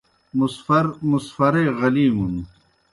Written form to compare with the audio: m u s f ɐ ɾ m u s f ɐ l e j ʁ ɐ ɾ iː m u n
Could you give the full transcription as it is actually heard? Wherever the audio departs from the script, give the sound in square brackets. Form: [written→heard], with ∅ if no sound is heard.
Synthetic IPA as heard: m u s f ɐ ɾ m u s f ɐ [l→ɾ] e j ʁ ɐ [ɾ→l] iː m u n